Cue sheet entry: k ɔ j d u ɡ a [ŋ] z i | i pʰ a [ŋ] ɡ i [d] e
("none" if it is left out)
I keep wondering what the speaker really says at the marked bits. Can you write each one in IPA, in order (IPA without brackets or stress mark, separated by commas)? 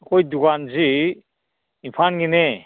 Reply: n, n, n